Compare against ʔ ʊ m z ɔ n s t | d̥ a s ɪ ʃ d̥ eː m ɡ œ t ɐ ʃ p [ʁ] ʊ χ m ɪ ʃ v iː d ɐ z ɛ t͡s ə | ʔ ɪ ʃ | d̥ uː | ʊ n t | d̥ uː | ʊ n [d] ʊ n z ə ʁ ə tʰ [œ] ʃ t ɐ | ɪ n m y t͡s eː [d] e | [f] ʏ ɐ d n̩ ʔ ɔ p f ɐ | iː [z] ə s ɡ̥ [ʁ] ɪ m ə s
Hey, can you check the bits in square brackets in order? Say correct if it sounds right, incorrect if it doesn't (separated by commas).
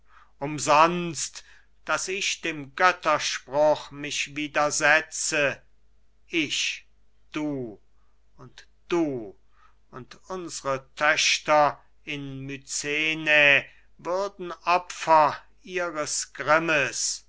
correct, incorrect, correct, incorrect, incorrect, incorrect, correct